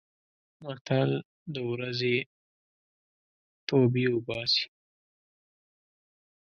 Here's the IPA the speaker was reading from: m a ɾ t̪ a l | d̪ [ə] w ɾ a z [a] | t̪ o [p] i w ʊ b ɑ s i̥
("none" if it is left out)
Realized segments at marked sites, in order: ə, e, b

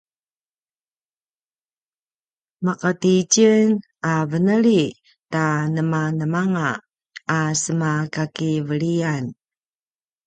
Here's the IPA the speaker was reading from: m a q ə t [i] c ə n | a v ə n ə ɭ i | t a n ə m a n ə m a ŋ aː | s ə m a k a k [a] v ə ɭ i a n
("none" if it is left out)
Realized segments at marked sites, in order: i, i

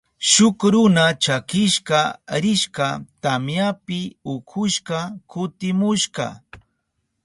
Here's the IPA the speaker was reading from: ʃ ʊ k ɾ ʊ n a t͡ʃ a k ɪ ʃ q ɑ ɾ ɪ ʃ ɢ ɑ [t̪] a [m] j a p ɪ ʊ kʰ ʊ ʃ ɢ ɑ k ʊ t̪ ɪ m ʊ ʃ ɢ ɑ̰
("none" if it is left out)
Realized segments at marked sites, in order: t̪, m

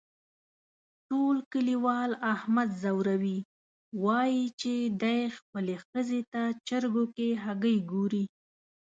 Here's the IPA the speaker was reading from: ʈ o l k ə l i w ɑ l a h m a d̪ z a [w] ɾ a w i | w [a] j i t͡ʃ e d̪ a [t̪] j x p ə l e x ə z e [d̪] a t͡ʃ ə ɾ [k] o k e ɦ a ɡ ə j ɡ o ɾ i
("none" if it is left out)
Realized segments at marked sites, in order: w, ɑ, none, t̪, ɡ

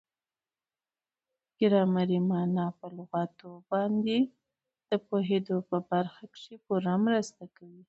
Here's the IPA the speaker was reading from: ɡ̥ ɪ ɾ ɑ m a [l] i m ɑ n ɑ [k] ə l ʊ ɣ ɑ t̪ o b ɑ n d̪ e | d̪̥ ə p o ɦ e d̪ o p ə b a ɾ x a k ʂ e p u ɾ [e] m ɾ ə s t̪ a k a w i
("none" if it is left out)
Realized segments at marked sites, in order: ɾ, p, a

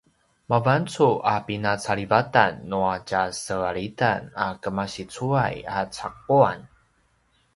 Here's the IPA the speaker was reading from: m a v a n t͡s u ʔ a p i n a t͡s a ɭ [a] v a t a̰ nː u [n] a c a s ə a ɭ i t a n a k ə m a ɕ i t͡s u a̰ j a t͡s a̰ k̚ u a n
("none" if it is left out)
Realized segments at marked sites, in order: i, none

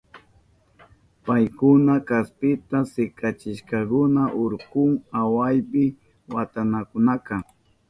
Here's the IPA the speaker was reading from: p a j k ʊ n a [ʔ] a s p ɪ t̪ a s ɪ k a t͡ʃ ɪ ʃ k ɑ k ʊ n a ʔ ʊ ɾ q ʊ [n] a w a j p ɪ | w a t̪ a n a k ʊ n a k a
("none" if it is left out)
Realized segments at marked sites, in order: k, ŋ

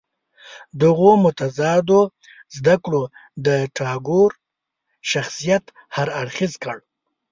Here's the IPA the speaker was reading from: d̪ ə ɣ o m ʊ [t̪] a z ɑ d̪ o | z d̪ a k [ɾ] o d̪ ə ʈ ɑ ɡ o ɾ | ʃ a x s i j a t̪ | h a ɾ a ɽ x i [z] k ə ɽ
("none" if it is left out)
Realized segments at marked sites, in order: t̪, ɽ, z

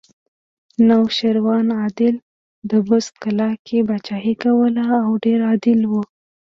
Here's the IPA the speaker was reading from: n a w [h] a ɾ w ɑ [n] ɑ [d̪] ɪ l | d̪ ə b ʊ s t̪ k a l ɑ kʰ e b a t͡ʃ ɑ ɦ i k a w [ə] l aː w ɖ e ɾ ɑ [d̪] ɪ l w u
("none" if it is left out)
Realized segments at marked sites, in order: ʃ, n, d̪, ə, d̪

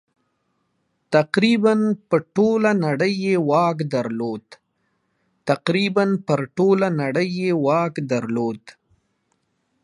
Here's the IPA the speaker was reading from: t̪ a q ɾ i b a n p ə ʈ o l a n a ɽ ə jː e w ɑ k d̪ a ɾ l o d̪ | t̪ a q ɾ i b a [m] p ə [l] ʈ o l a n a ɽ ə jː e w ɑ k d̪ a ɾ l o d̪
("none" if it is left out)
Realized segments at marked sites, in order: n, ɾ

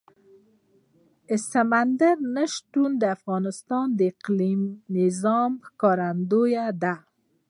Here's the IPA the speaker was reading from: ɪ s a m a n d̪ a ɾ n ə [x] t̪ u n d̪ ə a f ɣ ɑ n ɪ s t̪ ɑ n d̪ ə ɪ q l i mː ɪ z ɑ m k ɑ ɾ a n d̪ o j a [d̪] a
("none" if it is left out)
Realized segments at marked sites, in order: ʃ, d̪

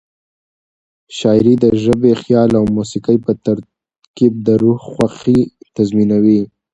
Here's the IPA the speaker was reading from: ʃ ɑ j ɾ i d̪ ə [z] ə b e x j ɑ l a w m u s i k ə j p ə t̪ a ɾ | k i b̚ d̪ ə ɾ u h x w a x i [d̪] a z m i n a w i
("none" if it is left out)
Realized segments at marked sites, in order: ʒ, t̪

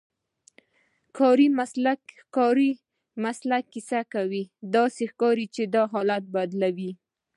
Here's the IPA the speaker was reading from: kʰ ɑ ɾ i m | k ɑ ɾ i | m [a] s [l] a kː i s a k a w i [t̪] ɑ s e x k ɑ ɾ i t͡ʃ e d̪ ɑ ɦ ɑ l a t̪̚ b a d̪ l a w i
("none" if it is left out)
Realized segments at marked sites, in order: a, l, d̪

